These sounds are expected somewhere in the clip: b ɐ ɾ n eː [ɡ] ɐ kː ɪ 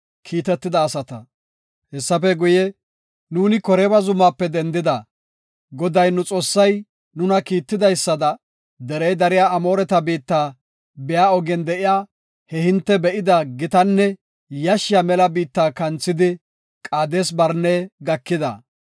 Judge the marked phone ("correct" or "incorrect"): correct